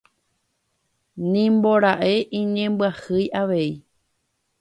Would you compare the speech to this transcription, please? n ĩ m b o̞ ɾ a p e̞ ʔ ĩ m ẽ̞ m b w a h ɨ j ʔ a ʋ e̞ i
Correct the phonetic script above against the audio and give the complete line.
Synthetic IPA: n ĩ m b o̞ ɾ a ʔ e̞ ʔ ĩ ɲ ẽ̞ m b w a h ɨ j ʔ a ʋ e̞ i